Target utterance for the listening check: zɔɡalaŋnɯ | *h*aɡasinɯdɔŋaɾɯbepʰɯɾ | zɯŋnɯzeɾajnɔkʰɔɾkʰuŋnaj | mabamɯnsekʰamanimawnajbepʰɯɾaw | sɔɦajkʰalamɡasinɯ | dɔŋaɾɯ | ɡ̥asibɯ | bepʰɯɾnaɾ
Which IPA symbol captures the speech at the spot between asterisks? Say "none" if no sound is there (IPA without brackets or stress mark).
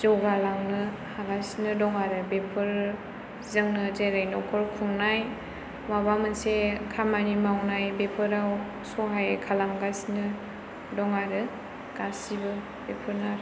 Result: h